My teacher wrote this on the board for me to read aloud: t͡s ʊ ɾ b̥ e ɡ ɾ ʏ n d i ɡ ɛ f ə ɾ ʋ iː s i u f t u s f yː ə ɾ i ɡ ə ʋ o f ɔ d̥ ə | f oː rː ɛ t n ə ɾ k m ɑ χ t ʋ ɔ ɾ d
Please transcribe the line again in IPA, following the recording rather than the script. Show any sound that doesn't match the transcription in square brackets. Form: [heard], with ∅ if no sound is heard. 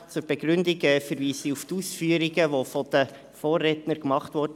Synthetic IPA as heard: t͡s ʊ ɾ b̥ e ɡ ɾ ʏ n d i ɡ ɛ f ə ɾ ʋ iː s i u f t u s f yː ə ɾ i ɡ ə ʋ o f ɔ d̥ ə | f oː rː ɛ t n ə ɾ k m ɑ χ t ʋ ɔ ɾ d